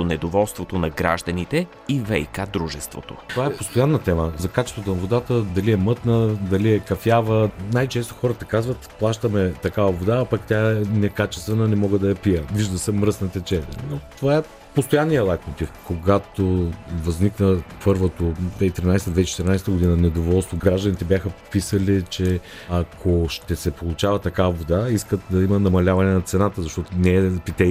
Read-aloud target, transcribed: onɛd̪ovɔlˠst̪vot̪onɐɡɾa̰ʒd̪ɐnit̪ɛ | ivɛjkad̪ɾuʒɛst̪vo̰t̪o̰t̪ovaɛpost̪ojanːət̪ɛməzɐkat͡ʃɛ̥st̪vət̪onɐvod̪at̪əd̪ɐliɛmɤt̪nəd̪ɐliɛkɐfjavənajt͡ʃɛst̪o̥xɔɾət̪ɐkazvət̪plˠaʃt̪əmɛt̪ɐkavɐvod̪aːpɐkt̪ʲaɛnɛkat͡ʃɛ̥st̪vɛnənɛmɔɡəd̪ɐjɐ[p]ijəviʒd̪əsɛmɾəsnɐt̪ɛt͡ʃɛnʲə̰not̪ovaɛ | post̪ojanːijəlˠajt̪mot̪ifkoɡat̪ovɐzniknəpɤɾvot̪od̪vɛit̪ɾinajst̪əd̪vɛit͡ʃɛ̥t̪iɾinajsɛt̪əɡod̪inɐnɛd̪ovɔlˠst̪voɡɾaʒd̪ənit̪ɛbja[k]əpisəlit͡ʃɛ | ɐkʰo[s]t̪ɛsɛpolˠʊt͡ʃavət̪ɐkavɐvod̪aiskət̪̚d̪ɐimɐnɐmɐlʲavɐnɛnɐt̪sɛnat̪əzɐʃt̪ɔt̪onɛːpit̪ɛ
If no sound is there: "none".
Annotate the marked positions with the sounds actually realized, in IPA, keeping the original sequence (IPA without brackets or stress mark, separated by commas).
p, x, ʃ